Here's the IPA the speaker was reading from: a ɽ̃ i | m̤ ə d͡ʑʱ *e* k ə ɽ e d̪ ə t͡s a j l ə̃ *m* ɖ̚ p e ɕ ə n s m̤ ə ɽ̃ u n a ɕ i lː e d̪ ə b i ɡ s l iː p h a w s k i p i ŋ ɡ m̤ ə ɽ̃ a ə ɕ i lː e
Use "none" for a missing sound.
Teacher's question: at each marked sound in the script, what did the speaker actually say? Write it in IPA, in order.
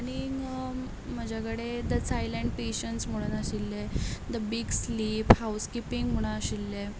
a, ɳ

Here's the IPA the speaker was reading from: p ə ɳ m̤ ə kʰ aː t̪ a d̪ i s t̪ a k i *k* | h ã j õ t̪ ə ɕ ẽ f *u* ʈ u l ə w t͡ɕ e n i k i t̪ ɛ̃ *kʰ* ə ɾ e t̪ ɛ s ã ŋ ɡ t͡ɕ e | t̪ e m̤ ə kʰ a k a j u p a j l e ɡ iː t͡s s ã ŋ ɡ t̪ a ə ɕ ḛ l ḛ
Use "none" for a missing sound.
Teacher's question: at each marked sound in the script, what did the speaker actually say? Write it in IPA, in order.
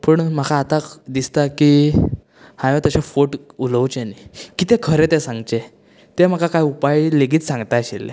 none, o, kʰ

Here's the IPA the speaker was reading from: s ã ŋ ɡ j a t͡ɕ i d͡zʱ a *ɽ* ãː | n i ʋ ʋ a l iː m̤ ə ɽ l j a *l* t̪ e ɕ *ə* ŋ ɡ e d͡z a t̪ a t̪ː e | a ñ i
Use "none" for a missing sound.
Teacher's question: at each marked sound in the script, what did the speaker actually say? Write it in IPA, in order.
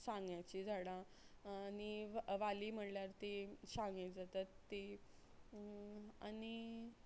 ɽ, ɾ, a

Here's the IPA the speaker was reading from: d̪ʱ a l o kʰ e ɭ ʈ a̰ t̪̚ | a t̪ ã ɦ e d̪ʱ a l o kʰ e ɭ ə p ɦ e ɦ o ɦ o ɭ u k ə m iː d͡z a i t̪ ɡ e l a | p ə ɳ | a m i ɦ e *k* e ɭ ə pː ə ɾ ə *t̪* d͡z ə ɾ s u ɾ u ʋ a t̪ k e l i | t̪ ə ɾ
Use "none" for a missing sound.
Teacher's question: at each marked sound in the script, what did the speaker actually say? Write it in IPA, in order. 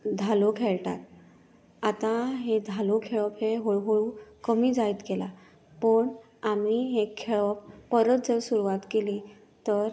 kʰ, t̪

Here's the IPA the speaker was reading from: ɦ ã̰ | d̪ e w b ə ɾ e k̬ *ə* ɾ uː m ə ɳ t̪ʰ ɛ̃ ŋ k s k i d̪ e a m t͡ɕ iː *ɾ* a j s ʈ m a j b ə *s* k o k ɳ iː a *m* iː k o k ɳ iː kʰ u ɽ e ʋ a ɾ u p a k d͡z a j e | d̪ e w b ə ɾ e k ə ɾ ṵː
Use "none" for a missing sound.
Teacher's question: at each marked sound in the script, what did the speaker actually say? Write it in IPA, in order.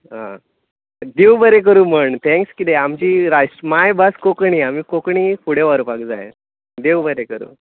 ə, ɾ, s, m

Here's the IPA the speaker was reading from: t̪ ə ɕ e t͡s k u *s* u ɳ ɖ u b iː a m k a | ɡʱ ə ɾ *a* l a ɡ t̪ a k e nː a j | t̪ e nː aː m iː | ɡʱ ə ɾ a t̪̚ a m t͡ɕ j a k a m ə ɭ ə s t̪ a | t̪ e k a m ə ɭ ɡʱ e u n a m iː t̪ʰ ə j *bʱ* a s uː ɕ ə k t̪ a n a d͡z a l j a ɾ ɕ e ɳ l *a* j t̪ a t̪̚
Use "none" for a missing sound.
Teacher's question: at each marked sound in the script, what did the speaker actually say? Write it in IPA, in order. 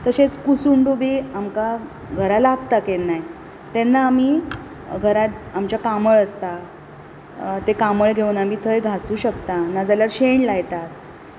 s, a, ɡʱ, a

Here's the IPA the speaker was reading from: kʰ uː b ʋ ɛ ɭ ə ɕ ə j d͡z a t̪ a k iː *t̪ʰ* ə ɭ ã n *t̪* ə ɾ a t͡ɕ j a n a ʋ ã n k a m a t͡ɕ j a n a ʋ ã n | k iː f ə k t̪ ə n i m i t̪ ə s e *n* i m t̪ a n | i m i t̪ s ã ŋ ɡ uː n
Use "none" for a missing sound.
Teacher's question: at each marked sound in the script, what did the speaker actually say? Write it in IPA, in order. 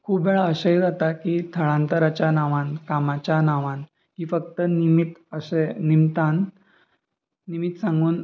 t̪ʰ, t̪, n

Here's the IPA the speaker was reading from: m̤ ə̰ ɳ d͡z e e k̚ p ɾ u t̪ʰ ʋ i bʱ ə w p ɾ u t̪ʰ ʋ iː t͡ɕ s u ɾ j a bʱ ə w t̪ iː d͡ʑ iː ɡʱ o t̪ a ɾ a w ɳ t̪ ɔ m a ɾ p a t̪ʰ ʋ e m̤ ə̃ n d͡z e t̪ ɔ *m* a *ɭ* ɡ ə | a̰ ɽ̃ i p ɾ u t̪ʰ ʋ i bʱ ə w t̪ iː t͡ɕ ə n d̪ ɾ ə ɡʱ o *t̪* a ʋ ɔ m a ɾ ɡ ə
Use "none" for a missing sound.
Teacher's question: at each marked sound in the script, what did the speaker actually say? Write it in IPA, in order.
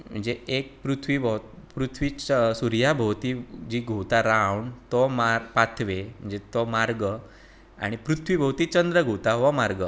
m, ɾ, t̪

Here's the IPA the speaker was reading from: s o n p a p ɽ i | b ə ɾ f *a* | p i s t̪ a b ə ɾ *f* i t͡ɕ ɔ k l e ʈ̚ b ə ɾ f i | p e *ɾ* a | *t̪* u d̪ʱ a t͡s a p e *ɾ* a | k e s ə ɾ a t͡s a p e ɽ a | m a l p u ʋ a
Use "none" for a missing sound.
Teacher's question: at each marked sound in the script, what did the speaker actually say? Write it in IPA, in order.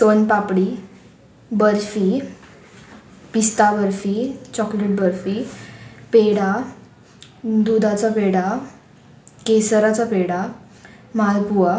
i, f, ɽ, d̪, ɽ

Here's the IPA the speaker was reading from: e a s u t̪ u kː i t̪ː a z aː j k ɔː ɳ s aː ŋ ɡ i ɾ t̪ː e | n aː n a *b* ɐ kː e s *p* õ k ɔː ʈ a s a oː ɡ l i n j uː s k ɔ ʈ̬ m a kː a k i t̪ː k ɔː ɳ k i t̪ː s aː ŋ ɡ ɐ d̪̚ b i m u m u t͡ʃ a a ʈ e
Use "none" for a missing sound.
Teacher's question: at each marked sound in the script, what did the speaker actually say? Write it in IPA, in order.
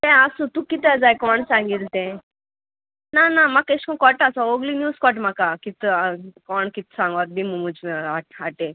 m, k

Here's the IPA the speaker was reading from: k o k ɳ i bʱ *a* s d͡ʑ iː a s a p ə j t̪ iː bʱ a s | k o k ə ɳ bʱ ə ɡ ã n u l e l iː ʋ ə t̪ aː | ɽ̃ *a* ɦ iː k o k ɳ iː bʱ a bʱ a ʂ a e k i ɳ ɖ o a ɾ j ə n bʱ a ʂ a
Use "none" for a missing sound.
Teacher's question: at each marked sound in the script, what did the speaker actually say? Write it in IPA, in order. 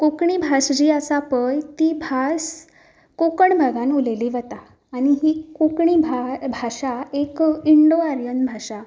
a, i

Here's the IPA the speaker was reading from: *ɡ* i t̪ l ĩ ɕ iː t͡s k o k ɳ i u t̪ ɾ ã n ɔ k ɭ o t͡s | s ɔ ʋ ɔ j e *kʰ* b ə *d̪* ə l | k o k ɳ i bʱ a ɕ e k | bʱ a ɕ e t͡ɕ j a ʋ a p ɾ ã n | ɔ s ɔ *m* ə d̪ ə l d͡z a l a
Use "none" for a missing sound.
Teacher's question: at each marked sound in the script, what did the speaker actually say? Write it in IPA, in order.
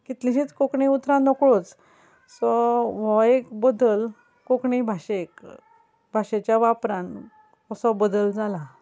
k, k, d̪, b

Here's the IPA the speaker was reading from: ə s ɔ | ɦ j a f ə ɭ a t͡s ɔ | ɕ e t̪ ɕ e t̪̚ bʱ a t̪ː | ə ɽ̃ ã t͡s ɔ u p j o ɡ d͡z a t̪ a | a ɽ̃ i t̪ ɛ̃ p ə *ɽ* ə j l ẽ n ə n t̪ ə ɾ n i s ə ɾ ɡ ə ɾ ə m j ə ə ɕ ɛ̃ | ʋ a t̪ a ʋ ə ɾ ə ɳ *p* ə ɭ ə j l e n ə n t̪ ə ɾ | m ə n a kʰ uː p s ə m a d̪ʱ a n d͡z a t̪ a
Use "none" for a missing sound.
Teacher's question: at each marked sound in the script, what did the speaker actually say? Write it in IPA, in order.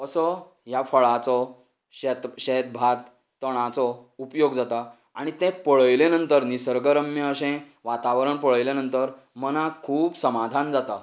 ɭ, p

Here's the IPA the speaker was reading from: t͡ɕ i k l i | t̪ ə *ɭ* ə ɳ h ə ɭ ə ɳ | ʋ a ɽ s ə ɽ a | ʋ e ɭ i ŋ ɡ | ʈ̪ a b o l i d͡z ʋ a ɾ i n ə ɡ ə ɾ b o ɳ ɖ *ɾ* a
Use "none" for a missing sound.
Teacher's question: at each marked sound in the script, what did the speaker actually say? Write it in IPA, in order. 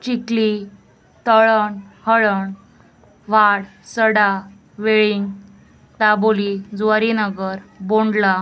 ɭ, l

